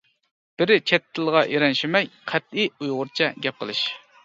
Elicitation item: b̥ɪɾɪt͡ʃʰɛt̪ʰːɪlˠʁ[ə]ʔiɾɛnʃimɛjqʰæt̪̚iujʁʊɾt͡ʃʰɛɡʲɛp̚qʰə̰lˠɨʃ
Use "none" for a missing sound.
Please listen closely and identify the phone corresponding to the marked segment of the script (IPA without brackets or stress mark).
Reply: ɑ